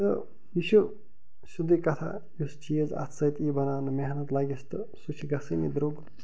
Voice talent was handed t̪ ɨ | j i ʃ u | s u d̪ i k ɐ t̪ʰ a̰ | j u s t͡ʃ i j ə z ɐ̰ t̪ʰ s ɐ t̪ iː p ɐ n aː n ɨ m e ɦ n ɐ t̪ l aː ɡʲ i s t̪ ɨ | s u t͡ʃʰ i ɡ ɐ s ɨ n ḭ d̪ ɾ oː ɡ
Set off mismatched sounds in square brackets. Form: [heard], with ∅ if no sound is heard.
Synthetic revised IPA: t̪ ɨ | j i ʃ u | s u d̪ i k ɐ t̪ʰ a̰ | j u s t͡ʃ i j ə z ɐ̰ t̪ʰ s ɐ t̪ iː [b] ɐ n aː n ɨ m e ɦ n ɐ t̪ l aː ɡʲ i s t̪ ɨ | s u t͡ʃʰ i ɡ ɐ s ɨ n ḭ d̪ ɾ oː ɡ